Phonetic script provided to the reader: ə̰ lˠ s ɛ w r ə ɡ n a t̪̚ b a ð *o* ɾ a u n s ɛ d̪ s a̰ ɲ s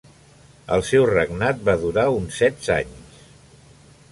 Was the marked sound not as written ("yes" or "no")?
yes